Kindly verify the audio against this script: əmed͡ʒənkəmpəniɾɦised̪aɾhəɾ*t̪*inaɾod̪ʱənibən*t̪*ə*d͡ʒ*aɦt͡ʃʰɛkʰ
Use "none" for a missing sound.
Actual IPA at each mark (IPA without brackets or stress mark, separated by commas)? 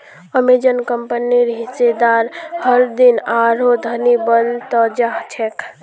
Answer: d̪, t̪, d͡ʒ